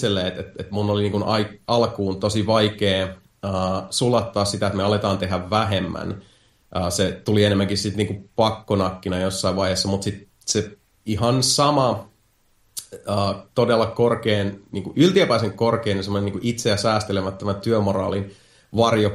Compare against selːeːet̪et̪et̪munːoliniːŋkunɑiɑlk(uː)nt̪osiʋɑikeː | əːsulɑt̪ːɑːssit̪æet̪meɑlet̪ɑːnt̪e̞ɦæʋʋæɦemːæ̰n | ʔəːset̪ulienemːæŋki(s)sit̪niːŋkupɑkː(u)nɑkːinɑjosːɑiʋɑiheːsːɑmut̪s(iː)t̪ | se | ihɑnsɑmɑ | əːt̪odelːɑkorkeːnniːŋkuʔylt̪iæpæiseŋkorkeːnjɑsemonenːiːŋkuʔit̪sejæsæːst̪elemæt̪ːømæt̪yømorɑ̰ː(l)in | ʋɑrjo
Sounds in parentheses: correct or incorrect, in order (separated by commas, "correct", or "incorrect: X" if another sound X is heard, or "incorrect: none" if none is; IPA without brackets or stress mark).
correct, correct, incorrect: o, incorrect: i, correct